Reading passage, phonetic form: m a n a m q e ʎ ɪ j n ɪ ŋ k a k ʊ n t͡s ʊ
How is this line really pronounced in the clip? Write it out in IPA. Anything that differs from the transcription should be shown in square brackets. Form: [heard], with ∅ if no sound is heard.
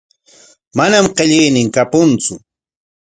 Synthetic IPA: m a n a m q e ʎ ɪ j n ɪ ŋ k a [p] ʊ n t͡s ʊ